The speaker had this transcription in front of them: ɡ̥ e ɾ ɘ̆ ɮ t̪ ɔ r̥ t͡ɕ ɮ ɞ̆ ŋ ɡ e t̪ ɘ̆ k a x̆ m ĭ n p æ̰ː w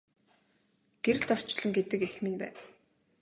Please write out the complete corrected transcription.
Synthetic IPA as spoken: ɡ̥ e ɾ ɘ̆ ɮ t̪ ɔ r̥ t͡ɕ ɮ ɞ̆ ŋ ɡ e t̪ ɘ̆ k e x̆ m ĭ n p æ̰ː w